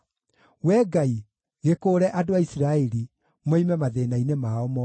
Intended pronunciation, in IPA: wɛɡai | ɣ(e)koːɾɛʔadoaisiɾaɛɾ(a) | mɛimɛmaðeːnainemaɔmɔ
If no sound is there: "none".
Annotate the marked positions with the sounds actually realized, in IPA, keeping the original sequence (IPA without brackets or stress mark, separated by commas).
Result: e, i